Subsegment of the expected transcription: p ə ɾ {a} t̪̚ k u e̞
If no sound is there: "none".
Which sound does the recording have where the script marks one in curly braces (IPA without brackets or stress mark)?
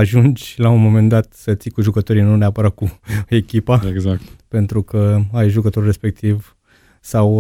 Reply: a